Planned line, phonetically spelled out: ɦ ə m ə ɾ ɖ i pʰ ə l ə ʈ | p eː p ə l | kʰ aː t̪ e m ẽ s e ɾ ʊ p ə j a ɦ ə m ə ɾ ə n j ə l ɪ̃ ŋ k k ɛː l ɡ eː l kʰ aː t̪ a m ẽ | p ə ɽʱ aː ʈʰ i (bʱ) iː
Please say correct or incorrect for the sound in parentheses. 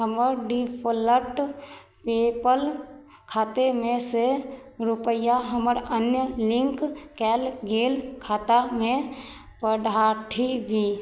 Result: correct